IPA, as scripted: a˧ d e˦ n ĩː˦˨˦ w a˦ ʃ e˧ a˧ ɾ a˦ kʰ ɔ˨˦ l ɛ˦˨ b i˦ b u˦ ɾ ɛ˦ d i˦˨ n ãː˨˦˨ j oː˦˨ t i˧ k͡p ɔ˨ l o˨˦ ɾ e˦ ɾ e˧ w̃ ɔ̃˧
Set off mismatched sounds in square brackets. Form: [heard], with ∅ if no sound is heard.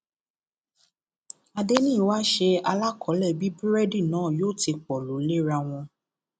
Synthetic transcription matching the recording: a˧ d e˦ n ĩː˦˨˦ w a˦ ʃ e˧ a˧ [l] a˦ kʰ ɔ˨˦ l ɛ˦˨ b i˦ b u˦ ɾ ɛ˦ d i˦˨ n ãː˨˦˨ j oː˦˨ t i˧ k͡p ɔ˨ l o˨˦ [l] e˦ ɾ [a˧] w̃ ɔ̃˧